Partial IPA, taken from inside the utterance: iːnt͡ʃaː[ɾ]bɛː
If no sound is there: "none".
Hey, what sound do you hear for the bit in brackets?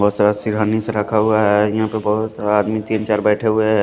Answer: ɾ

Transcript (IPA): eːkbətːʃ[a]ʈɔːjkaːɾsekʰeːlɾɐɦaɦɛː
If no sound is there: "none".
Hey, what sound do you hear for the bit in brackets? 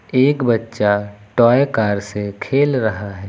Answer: a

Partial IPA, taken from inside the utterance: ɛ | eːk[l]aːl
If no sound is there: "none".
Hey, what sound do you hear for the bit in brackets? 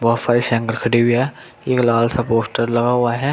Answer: l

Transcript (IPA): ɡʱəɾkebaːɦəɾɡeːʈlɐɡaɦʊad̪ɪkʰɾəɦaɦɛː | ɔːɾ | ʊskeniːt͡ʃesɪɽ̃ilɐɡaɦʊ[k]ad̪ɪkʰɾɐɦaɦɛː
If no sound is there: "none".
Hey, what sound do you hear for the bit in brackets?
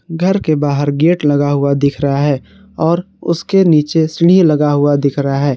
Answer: none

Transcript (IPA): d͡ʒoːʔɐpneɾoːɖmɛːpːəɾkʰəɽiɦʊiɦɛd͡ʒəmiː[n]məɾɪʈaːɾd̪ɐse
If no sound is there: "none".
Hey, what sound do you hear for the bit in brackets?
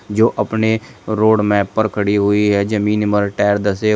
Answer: n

